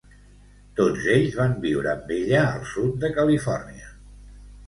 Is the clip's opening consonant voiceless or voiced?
voiceless